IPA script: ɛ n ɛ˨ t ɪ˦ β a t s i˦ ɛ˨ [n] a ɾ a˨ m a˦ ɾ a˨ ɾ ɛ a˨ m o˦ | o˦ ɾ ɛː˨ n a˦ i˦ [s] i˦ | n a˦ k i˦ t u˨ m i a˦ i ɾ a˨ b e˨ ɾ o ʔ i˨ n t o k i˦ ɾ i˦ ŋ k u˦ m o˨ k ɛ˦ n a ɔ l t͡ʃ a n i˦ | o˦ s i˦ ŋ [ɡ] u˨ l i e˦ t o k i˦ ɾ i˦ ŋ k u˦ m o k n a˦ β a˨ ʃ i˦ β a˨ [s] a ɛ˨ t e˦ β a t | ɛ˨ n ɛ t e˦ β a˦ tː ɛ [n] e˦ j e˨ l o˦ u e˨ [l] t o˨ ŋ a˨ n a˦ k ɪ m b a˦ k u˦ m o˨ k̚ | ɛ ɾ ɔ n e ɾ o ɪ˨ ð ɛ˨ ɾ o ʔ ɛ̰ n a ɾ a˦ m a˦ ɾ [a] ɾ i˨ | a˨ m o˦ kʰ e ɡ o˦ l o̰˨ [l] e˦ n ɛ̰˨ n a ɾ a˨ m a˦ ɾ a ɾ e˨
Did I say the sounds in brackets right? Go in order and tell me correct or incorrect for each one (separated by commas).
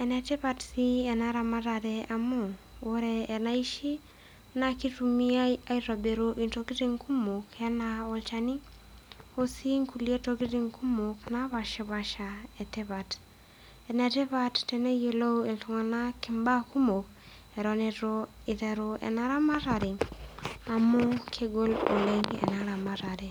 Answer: correct, incorrect, incorrect, incorrect, correct, correct, correct, correct